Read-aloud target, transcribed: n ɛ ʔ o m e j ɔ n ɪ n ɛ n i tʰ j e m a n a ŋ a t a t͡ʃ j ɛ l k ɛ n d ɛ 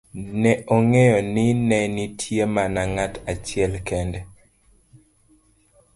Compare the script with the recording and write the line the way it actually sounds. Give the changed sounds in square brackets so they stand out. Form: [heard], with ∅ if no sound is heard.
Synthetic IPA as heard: n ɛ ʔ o [ŋ] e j ɔ n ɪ n ɛ n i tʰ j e m a n a ŋ a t a t͡ʃ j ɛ l k ɛ n d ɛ